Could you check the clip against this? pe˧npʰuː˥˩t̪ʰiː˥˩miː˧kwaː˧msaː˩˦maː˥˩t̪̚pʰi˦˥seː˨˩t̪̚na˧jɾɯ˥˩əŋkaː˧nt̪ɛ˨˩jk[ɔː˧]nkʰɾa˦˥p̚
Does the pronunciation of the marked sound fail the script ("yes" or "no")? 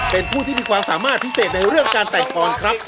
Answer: no